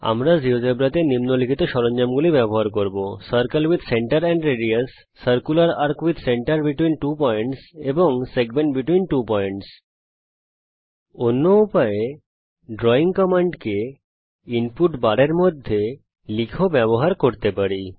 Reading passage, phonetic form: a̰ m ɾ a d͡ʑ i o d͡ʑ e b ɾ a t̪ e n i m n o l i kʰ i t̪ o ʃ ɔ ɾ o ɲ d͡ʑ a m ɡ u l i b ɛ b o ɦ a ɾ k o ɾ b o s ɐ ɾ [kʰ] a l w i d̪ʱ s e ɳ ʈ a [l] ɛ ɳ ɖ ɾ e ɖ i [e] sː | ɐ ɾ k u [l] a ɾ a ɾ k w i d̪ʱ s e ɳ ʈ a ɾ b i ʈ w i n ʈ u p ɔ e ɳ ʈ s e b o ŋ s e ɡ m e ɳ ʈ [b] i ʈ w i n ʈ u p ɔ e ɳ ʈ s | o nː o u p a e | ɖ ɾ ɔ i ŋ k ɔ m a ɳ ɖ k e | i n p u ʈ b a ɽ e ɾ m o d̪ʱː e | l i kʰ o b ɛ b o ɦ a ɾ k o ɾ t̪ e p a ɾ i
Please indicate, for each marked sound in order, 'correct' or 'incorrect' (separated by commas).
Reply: incorrect, incorrect, incorrect, correct, correct